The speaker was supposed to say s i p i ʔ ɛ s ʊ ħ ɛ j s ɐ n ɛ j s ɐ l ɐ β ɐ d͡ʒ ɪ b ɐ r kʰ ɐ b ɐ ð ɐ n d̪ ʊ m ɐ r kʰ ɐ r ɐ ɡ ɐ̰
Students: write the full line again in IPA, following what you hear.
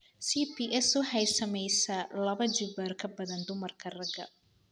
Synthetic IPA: s i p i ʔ ɛ s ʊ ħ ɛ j s ɐ m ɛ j s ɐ l ɐ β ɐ d͡ʒ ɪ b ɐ r kʰ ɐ b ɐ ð ɐ n d̪ ʊ m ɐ r kʰ ɐ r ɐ ɡ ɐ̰